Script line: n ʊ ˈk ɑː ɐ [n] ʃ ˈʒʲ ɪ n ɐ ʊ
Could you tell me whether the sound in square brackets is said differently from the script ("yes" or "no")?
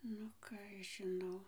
yes